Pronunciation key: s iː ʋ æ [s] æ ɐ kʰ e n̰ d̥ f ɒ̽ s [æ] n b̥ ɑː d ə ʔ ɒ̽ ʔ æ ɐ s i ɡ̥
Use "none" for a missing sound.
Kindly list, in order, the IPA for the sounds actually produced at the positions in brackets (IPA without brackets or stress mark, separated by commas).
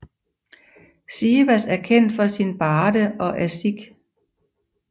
s, i